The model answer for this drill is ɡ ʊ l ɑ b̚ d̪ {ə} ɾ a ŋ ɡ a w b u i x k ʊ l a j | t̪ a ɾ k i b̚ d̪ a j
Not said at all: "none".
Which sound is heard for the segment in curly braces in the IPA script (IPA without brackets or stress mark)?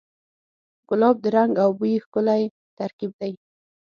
ə